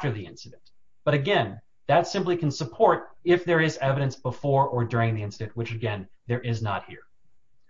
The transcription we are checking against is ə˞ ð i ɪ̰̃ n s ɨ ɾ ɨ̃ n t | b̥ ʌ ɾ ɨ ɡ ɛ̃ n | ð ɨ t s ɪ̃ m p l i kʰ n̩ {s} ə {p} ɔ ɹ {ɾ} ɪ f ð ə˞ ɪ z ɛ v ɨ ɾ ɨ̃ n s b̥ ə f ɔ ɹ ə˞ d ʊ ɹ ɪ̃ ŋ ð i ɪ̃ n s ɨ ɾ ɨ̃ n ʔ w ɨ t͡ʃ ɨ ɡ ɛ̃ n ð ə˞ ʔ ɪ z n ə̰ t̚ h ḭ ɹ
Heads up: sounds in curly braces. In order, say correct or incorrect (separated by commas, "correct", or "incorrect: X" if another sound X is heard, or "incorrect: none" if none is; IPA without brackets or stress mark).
correct, incorrect: pʰ, correct